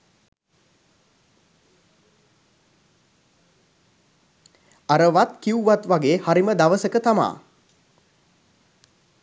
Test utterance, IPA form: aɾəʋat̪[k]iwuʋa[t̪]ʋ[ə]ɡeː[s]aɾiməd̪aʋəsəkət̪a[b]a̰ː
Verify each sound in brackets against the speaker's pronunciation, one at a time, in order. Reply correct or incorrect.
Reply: correct, correct, incorrect, incorrect, incorrect

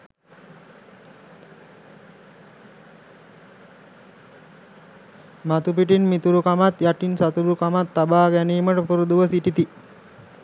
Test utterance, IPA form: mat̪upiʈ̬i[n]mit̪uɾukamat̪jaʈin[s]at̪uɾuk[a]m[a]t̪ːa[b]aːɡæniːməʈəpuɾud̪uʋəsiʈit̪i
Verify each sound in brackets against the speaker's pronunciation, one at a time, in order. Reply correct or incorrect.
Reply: correct, correct, correct, correct, correct

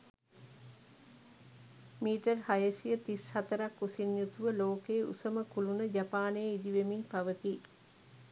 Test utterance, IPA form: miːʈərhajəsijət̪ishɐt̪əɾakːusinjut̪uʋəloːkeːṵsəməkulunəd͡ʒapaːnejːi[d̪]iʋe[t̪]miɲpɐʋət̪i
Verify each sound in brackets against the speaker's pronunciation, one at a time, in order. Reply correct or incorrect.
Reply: correct, incorrect

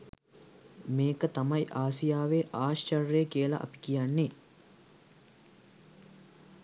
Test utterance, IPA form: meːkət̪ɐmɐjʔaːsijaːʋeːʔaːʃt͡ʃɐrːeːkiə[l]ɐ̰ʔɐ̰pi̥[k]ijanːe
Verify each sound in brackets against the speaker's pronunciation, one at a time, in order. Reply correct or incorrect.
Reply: correct, correct

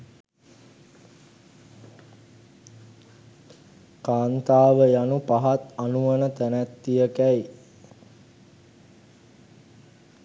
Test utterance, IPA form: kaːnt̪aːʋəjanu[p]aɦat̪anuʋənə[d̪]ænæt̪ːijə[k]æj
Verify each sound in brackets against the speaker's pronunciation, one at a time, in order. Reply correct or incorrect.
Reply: correct, incorrect, correct

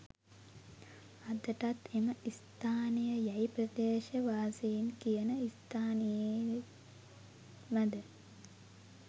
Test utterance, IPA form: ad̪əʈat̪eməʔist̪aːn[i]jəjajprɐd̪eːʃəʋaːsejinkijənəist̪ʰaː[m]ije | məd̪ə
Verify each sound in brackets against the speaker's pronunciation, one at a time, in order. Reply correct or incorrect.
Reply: correct, incorrect

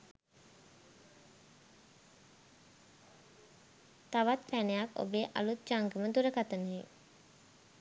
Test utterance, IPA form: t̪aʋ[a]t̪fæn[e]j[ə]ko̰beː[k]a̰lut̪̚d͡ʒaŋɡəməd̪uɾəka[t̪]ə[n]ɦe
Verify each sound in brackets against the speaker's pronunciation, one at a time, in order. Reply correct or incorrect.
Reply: correct, correct, incorrect, incorrect, correct, correct

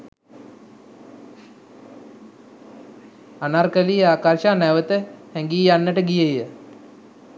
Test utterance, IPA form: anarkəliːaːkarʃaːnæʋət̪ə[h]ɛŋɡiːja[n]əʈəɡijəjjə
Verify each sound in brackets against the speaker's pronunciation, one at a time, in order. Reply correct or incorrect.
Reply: correct, incorrect

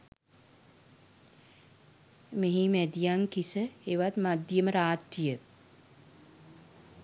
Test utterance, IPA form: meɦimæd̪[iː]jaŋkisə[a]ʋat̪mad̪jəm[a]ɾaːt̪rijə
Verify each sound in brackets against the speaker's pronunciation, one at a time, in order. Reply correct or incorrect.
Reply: incorrect, incorrect, incorrect

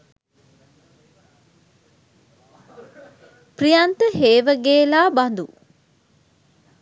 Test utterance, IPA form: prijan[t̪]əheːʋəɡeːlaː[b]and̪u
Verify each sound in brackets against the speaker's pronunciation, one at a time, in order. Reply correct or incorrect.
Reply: correct, correct

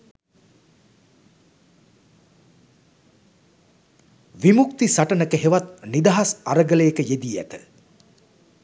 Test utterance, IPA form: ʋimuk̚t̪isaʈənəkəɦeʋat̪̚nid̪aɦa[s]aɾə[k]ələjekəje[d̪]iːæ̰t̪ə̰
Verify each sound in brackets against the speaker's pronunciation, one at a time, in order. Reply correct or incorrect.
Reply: correct, incorrect, correct

